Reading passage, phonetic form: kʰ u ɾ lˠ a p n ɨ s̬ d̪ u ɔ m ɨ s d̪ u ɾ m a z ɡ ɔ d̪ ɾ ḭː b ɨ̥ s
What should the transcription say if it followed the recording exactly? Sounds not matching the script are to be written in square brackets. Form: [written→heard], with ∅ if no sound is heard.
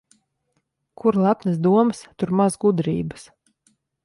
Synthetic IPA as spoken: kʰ u ɾ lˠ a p n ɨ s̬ d̪ u ɔ m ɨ s [d̪→t̪] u ɾ m a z ɡ [ɔ→u] d̪ ɾ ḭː b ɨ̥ s

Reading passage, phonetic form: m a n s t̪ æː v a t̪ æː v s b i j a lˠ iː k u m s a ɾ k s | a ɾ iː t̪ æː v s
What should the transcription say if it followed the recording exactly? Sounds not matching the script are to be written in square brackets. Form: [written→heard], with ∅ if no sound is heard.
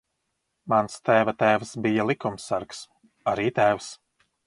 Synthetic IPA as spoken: m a n s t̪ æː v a t̪ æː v s b i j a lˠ [iː→i] k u m s a ɾ k s | a ɾ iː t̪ æː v s

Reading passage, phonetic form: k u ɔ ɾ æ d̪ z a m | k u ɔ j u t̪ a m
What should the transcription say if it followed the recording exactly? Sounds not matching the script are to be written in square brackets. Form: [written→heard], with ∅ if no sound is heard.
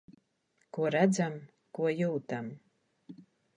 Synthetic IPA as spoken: k u ɔ ɾ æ d̪ z a m | k u ɔ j [u→uː] t̪ a m

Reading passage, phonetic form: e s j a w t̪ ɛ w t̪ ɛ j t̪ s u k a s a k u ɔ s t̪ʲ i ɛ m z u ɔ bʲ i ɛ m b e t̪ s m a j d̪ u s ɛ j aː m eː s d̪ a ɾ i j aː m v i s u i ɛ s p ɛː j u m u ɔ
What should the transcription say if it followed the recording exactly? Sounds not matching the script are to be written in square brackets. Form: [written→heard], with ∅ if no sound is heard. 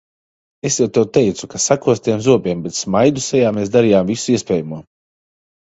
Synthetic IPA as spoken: e s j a w t̪ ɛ w t̪ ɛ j t̪ s u k a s a k u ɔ s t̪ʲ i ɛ m z u ɔ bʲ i ɛ m b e t̪ s m a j d̪ u s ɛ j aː m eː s d̪ a ɾ i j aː m v i s u i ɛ s p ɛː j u m u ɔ

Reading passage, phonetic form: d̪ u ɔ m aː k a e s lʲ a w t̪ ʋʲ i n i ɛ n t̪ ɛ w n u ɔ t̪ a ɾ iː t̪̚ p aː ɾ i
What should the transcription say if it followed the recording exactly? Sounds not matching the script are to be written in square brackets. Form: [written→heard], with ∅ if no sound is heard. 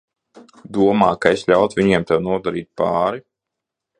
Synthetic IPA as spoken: d̪ u ɔ m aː k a e s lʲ a w t̪ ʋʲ i [n→ɲ] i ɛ [n→m] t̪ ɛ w n u ɔ [t̪→d̪] a ɾ iː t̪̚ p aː ɾ i

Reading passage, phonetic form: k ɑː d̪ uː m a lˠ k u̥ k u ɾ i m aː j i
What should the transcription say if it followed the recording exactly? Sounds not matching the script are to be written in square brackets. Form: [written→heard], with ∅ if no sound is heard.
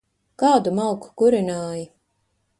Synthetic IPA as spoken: k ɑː d̪ [uː→u] m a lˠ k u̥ k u ɾ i [m→n] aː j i

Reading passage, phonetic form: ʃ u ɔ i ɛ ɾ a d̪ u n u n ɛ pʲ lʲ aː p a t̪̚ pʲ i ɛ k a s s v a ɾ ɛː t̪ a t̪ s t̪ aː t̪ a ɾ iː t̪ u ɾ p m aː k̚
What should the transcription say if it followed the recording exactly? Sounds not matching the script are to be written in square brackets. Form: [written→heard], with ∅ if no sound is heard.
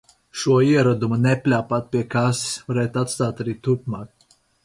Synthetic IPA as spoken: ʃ u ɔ i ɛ ɾ a d̪ u [n→m] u n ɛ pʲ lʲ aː p a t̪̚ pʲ i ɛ k a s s v a ɾ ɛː t̪ a t̪ s t̪ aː t̪ a ɾ iː t̪ u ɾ p m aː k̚

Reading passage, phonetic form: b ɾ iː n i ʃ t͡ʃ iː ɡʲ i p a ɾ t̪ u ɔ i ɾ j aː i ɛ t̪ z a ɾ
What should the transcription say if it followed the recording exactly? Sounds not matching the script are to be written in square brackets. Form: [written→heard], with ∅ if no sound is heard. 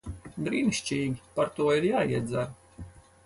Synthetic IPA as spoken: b ɾ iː n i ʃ t͡ʃ iː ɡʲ i p a ɾ t̪ u ɔ i ɾ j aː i ɛ [t̪→d̪] z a ɾ

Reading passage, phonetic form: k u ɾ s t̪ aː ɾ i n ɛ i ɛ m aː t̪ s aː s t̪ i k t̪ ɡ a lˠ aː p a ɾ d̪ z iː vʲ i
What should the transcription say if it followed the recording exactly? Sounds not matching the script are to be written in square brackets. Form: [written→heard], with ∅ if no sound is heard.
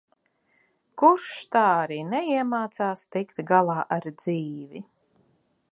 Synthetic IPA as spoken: k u ɾ [s→ʃ] t̪ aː ɾ i n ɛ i ɛ m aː t̪ s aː s t̪ i k t̪ ɡ a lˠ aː [p→ʔ] a ɾ d̪ z iː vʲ i

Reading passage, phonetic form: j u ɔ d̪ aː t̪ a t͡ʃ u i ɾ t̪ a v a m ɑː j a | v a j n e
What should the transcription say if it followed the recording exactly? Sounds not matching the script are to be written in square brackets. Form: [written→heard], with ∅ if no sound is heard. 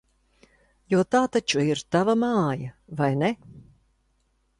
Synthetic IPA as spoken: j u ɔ [d̪→t̪] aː t̪ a t͡ʃ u i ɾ t̪ a v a m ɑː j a | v a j n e

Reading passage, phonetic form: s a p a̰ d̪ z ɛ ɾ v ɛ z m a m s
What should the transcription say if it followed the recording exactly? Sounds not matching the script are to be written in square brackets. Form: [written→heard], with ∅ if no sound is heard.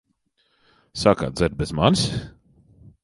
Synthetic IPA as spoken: s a [p→k] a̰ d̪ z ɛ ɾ [v→b] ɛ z m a [m→n] s

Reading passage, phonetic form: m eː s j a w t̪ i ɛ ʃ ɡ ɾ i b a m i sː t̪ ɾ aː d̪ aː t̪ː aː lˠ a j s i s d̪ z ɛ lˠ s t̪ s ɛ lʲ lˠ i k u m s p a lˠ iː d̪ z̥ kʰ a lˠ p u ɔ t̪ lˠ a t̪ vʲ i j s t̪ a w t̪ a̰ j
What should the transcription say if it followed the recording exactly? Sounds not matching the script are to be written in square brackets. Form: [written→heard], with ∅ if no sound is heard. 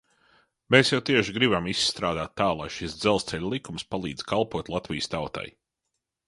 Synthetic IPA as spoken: m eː s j a w t̪ i ɛ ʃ ɡ ɾ i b a m i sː t̪ ɾ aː d̪ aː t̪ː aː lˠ a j [s→ʃ] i s d̪ z ɛ lˠ s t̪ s ɛ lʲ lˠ i k u m s p a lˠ iː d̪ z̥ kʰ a lˠ p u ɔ t̪ lˠ a t̪ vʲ i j s t̪ a w t̪ a̰ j

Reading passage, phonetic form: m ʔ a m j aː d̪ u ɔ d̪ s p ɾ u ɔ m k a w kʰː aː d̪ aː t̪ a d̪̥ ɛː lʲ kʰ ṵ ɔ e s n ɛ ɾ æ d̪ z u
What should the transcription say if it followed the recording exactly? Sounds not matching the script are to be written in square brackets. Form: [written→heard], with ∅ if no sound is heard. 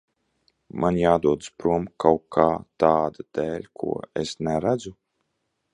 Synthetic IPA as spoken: m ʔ a [m→n] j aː d̪ u ɔ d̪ s p ɾ u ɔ m k a w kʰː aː [d̪→t̪] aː [t̪→d̪] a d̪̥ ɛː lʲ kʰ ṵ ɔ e s n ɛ ɾ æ d̪ z u

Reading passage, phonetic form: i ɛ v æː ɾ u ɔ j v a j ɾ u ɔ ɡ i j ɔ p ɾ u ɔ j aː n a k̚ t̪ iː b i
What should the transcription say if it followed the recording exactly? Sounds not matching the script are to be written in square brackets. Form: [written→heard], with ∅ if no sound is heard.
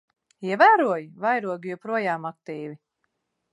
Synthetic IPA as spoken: i ɛ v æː ɾ u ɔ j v a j ɾ u ɔ ɡ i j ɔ p ɾ u ɔ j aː [n→m] a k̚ t̪ iː [b→v] i

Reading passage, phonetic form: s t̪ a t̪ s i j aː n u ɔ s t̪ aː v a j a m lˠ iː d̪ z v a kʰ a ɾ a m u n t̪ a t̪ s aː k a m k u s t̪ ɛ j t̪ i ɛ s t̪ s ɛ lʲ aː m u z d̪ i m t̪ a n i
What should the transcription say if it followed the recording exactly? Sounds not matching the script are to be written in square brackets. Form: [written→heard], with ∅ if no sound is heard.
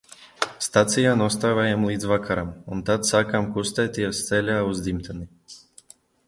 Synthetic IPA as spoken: s t̪ a t̪ s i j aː n u ɔ s t̪ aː v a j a m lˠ iː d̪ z v a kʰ a ɾ a m u n t̪ a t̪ s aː k a m k u s t̪ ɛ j t̪ i ɛ s t̪ s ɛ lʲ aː [m→∅] u z d̪ i m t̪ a n i

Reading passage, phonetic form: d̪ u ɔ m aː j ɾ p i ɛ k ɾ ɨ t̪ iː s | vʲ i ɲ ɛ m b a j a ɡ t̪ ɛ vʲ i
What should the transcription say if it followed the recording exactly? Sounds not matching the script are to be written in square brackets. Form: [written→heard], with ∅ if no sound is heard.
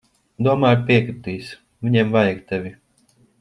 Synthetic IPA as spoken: d̪ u ɔ m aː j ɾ p i ɛ k ɾ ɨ t̪ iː s | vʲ i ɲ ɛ m [b→v] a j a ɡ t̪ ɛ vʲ i

